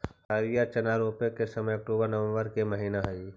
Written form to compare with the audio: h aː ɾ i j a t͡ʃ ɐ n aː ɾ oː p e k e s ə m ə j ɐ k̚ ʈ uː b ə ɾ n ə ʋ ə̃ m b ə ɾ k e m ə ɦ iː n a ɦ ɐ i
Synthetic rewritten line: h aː ɾ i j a t͡ʃ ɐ n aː ɾ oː p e k e s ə m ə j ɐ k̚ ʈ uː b ə ɾ n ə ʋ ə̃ m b ə ɾ k e m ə ɦ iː n a ɦ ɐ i